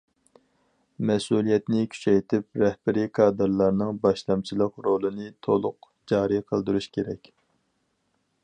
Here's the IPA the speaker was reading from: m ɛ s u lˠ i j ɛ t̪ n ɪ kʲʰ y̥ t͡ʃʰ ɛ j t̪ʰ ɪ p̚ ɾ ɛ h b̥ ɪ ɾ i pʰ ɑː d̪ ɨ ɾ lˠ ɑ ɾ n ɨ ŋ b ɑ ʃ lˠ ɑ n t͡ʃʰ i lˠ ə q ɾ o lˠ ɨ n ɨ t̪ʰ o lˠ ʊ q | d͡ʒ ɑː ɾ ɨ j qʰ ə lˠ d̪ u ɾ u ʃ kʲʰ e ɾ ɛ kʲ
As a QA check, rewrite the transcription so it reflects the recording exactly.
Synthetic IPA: m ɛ s u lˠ i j ɛ t̪ n ɪ kʲʰ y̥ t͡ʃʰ ɛ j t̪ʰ ɪ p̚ ɾ ɛ h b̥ ɪ ɾ i kʰ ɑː d̪ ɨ ɾ lˠ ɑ ɾ n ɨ ŋ b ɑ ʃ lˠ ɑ m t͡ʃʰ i lˠ ə q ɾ o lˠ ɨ n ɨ t̪ʰ o lˠ ʊ q | d͡ʒ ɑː ɾ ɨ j qʰ ə lˠ d̪ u ɾ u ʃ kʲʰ e ɾ ɛ kʲ